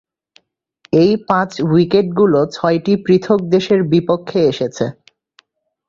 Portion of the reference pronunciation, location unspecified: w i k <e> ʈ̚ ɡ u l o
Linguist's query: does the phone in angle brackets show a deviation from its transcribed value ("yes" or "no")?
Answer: no